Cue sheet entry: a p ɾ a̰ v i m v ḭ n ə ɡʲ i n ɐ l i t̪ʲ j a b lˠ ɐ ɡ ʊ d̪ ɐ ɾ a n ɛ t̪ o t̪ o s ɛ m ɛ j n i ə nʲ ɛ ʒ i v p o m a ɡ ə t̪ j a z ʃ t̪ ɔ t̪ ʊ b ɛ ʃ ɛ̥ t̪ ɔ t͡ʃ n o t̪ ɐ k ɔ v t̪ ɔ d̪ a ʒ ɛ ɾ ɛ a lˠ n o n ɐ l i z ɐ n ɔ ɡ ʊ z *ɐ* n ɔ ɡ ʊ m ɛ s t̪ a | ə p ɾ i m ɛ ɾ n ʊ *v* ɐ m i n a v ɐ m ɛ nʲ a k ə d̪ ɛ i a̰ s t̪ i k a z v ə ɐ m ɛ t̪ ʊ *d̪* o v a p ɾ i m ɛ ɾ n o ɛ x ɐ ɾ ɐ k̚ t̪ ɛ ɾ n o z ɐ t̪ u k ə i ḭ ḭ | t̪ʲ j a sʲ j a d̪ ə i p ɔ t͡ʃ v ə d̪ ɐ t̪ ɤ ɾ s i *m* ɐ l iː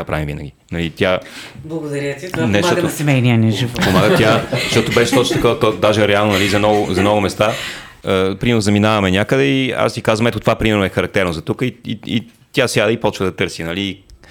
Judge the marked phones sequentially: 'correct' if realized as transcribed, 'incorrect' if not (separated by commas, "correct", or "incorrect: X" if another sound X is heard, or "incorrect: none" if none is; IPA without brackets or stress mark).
correct, incorrect: z, incorrect: t̪, incorrect: n